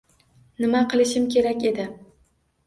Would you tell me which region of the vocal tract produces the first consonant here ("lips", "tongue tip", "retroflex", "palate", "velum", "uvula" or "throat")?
tongue tip